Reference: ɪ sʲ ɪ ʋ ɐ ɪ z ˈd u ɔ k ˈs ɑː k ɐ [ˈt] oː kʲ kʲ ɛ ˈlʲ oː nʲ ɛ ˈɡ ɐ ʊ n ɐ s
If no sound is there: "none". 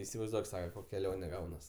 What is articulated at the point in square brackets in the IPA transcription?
k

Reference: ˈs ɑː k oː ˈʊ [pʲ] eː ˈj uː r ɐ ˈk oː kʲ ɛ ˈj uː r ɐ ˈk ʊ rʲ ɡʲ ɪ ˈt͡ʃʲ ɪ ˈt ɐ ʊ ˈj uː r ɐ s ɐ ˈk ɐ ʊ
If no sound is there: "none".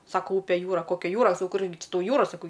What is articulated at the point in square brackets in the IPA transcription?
pʲ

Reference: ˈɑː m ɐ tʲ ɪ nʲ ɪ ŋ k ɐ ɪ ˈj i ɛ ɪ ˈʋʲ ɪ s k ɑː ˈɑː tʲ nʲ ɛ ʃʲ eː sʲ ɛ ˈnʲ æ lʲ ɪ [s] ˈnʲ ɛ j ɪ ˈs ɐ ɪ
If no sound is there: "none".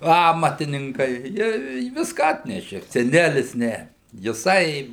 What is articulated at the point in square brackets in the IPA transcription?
s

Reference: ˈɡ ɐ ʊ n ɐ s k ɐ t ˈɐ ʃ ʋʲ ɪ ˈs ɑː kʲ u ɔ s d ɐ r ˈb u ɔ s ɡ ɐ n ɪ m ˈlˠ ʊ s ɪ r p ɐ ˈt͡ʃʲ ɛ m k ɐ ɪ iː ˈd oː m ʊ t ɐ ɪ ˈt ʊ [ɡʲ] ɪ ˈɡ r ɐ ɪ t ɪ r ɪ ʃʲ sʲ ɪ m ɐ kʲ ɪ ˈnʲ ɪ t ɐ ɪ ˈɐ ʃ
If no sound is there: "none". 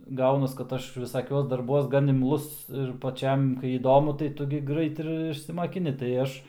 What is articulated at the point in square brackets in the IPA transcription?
ɡʲ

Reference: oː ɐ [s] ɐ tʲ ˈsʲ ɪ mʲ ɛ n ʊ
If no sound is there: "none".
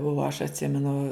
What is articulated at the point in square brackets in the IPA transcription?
ʃ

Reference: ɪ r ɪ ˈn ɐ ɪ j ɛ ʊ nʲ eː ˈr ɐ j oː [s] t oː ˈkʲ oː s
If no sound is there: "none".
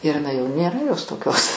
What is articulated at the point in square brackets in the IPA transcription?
s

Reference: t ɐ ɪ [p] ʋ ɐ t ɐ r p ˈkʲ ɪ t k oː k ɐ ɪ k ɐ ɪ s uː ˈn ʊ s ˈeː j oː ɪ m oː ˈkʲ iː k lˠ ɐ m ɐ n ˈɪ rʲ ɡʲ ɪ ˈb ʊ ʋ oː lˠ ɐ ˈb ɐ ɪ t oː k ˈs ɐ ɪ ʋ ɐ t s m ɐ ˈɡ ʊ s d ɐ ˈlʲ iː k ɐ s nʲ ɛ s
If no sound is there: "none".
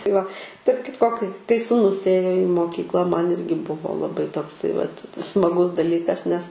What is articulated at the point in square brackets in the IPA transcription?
none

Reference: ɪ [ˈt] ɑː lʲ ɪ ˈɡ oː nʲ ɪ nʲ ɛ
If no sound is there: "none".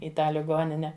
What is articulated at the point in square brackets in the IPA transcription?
t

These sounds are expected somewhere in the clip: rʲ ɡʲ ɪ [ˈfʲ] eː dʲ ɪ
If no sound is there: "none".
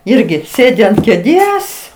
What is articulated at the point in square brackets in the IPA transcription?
sʲ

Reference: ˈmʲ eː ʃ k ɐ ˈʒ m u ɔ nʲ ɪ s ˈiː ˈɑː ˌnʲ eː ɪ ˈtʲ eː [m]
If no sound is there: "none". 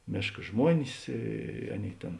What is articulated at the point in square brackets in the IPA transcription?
n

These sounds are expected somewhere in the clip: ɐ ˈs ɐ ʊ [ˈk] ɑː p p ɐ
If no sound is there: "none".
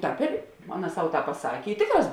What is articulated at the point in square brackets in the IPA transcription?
t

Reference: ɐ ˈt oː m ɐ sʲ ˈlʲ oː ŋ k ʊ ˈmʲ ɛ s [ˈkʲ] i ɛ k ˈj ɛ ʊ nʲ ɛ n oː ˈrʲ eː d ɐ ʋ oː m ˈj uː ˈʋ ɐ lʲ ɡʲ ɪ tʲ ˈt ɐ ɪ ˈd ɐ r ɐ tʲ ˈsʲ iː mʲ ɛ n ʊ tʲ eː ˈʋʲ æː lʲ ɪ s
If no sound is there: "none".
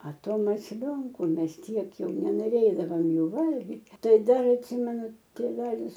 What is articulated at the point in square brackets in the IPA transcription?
tʲ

